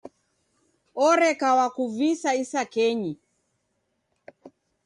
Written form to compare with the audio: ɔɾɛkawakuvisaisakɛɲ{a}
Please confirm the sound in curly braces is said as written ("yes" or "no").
no